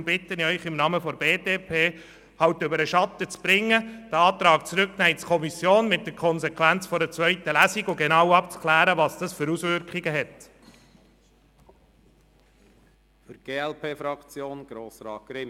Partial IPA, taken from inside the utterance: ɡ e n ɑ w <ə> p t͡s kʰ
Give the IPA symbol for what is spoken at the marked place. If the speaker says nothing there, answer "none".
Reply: ɑ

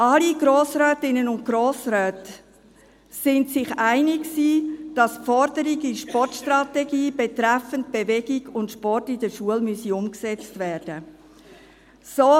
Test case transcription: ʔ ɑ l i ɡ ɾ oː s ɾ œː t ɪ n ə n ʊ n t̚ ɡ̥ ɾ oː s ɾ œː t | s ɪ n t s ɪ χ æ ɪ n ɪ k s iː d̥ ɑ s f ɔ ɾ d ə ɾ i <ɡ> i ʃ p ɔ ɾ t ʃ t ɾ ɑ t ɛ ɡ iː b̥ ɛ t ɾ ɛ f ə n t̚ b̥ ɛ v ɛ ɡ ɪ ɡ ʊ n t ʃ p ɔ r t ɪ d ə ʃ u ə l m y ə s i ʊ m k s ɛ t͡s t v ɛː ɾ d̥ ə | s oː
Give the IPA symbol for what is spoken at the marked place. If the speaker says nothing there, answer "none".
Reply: ɡ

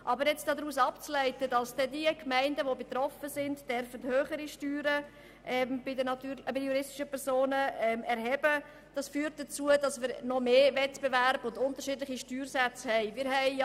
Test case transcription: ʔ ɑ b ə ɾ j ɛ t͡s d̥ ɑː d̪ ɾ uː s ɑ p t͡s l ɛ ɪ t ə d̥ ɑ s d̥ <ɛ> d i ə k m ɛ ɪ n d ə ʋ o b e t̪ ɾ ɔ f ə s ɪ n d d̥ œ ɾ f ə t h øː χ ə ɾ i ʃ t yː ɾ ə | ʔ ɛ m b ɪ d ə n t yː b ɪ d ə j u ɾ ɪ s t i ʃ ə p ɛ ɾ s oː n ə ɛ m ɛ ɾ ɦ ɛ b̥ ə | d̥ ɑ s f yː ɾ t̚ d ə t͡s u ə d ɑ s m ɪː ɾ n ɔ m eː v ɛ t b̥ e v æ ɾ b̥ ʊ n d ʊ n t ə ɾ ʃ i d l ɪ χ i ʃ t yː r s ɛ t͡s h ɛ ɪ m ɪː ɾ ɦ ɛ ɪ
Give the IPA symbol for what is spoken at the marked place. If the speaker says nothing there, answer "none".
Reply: ɛ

